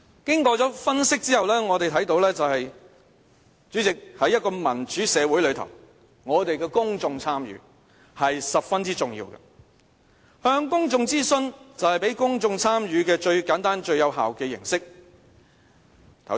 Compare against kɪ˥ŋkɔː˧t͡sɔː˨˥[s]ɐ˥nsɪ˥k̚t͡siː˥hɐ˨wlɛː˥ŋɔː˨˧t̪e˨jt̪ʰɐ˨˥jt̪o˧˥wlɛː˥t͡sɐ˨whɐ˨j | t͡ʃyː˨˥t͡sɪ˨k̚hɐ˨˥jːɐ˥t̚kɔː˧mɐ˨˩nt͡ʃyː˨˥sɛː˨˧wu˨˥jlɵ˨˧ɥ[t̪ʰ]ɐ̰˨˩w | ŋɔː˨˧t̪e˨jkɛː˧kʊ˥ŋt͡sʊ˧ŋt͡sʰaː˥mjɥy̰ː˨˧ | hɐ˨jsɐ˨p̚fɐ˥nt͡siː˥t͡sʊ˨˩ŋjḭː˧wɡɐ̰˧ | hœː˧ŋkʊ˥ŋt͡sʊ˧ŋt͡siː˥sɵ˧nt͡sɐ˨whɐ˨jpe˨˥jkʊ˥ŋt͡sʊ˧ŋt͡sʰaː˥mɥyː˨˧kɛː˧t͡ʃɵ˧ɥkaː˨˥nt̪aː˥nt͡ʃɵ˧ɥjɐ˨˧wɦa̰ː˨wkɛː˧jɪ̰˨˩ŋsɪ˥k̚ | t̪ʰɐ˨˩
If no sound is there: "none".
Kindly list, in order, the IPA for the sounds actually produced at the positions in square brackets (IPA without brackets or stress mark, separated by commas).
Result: f, t̪ʰ